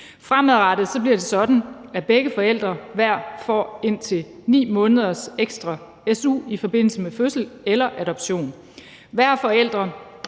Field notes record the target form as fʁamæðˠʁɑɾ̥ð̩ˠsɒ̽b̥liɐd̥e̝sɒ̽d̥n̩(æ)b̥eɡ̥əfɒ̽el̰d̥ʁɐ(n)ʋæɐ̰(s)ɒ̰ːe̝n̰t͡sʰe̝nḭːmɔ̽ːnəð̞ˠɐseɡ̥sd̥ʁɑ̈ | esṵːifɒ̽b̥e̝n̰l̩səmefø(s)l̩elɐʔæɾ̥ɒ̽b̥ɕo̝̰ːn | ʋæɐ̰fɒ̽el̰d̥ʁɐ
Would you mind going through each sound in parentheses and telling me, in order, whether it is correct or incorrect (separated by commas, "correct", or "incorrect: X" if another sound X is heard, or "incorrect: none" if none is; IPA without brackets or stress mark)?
correct, incorrect: none, incorrect: f, correct